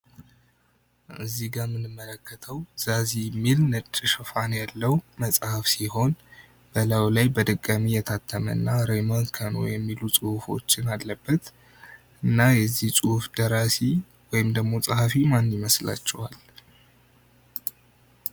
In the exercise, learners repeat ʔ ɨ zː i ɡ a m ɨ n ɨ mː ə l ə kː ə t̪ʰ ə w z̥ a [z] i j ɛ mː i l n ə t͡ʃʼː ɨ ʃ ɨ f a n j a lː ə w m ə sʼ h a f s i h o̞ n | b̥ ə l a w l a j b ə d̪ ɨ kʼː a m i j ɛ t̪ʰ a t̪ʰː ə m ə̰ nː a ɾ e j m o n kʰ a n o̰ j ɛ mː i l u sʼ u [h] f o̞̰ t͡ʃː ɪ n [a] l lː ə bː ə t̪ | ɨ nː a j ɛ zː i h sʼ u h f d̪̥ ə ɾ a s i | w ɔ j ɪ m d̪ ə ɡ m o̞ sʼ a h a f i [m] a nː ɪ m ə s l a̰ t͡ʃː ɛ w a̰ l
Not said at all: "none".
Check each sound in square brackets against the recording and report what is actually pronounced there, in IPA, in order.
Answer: z, h, a, m

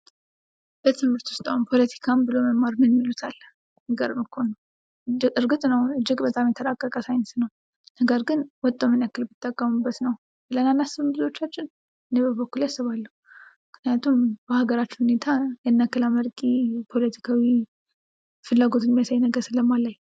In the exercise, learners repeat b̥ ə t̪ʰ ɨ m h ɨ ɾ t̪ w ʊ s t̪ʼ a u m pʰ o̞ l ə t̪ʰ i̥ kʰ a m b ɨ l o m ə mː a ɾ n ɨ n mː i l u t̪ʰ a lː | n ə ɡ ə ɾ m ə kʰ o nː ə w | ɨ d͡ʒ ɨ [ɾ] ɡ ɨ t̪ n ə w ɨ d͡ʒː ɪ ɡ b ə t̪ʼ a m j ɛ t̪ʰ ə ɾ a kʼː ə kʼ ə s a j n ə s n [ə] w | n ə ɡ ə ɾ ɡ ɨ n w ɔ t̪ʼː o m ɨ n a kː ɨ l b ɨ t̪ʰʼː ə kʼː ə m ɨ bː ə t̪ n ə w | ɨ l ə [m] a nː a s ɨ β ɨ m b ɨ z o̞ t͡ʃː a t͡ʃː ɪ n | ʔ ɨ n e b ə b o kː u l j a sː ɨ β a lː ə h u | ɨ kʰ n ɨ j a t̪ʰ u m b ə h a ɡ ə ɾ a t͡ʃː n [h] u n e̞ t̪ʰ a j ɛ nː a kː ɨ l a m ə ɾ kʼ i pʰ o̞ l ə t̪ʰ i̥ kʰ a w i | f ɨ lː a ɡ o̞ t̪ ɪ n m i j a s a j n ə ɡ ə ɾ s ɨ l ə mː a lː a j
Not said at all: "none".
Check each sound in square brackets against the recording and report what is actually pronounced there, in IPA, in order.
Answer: ɾ, ə, n, h

